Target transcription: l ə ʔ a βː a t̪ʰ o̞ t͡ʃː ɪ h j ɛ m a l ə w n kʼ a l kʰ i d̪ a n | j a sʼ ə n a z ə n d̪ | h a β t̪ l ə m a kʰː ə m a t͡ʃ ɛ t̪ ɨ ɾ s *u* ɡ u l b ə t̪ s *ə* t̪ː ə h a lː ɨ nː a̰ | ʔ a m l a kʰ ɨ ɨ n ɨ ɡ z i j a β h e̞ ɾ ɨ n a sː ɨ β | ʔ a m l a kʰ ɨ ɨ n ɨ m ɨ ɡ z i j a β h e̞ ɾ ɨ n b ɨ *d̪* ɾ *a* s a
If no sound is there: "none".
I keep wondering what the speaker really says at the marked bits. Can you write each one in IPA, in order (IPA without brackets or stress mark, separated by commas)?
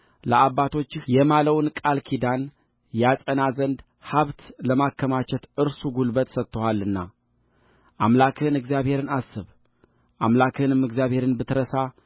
u, ə, t̪, ə